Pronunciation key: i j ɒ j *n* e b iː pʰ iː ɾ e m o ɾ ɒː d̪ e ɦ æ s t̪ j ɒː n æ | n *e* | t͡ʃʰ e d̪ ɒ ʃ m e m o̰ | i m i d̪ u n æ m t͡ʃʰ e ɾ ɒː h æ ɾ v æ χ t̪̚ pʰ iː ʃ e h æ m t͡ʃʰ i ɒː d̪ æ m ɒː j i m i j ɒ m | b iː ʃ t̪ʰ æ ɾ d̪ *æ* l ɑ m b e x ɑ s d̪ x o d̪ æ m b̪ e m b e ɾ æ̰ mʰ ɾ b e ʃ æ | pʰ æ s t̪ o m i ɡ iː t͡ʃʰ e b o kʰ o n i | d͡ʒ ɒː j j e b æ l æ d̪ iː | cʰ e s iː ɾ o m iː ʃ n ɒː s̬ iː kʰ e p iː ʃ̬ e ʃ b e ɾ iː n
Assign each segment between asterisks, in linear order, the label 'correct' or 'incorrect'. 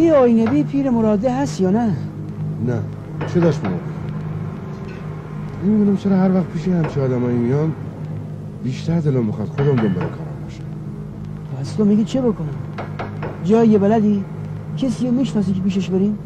correct, incorrect, incorrect

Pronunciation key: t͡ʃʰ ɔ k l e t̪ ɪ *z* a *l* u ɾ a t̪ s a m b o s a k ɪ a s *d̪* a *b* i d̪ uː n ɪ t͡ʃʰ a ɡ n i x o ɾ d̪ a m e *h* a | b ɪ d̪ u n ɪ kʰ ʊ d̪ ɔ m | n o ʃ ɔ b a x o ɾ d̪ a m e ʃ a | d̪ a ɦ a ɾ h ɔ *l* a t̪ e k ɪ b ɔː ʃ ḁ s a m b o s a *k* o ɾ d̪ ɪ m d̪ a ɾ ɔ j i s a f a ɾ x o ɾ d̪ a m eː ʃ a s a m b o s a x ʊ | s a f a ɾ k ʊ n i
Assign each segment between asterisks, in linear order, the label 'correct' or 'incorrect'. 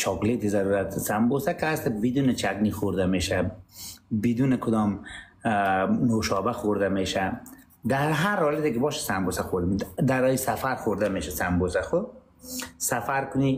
correct, incorrect, incorrect, correct, incorrect, correct, incorrect

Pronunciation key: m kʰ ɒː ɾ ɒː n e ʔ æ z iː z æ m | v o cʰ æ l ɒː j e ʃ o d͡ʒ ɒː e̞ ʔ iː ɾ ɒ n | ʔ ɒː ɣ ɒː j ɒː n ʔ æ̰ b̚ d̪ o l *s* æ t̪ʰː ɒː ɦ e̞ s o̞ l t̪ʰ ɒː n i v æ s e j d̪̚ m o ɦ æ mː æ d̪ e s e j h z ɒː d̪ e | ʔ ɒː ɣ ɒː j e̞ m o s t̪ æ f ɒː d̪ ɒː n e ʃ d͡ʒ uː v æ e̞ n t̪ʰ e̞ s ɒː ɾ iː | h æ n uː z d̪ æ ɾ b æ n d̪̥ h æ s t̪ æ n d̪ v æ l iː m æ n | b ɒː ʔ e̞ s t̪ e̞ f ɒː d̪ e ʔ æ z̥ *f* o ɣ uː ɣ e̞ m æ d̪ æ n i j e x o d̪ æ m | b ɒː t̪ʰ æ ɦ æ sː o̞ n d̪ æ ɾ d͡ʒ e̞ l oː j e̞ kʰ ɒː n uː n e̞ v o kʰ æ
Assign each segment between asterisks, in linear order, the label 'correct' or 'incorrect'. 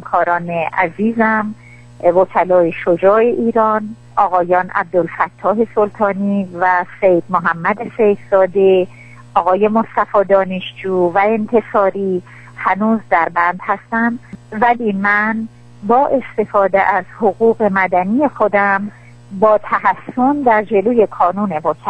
incorrect, incorrect

